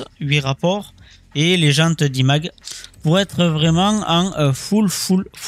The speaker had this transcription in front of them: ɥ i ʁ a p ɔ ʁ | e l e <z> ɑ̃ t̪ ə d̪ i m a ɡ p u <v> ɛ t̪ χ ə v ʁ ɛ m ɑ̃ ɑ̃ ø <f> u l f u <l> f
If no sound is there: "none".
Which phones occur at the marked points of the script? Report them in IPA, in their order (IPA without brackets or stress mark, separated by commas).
ʒ, ʁ, f, l